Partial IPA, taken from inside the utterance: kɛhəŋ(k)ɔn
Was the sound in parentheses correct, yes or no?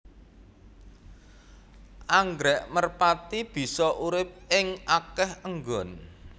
no